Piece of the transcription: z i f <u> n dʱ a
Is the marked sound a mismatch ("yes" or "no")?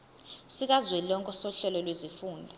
yes